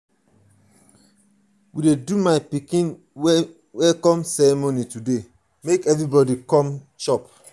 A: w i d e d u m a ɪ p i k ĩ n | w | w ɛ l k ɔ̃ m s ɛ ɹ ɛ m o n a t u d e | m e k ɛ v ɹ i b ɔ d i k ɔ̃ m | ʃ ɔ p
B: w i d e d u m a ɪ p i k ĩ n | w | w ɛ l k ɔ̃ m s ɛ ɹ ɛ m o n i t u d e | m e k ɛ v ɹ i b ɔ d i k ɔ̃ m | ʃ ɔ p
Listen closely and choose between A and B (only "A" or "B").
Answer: B